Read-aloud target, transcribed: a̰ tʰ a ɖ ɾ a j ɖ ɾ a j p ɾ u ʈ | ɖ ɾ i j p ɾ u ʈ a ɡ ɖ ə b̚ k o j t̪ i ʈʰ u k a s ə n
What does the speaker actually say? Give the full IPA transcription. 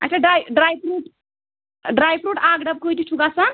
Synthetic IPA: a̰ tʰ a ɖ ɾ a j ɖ ɾ a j p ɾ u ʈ | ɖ ɾ a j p ɾ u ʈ a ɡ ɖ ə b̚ k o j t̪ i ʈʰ u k a s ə n